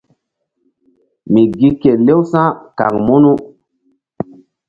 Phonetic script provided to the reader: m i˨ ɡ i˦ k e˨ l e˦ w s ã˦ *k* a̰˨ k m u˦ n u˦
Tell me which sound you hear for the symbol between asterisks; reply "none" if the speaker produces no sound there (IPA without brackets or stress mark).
k